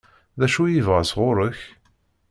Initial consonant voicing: voiced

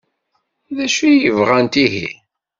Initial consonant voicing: voiced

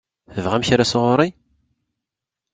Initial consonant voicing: voiceless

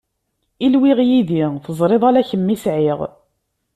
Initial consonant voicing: voiced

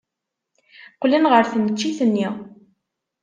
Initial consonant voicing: voiceless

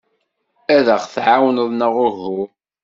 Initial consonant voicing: voiced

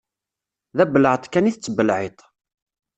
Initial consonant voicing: voiced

